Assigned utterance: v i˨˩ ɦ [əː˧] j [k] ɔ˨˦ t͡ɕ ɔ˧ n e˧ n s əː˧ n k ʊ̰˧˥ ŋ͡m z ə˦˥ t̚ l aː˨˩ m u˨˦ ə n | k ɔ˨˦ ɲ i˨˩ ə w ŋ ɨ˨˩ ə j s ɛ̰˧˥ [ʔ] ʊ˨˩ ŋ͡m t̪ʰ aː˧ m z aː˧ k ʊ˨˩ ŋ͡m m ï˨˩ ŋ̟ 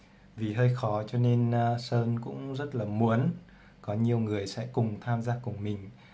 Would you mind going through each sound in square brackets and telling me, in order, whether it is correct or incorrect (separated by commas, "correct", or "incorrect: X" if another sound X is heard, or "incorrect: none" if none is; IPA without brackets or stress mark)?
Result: correct, incorrect: x, incorrect: k